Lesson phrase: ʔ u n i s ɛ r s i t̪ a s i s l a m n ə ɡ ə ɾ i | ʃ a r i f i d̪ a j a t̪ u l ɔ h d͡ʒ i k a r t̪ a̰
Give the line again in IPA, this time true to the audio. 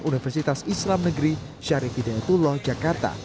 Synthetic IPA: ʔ u n i f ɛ r s i t̪ a s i s l a m n ə ɡ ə ɾ i | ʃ a ɾ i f i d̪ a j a t̪ u l ɔ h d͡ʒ a k a r t̪ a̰